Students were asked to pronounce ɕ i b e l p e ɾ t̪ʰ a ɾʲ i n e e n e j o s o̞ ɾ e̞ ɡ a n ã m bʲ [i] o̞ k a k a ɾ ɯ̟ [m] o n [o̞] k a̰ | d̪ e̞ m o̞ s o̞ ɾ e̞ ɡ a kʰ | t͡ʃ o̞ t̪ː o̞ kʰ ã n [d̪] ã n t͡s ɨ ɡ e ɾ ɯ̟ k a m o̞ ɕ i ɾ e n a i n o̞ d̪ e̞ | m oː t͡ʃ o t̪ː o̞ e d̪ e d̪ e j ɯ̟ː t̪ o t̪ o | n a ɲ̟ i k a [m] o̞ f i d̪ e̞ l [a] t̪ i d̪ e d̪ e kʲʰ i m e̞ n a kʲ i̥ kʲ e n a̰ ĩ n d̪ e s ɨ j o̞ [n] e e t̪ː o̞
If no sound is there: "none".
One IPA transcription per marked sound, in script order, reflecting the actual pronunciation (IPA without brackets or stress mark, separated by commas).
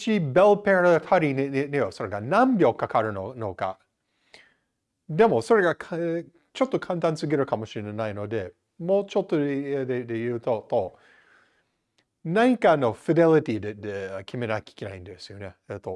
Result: j, n, o̞, t̪, n, i, n